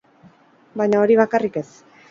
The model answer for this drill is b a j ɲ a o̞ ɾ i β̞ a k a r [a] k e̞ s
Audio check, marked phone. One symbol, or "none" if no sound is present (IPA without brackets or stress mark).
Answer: i